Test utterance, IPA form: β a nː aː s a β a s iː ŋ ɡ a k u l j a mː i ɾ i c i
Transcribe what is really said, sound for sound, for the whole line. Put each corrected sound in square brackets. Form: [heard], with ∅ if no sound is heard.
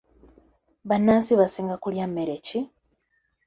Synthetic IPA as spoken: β a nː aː s [i] β a s iː ŋ ɡ a k u l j a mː [e] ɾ [e] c i